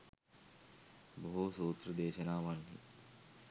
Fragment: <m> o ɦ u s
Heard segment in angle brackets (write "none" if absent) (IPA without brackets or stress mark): b